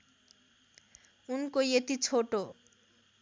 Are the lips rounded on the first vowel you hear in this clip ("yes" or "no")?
yes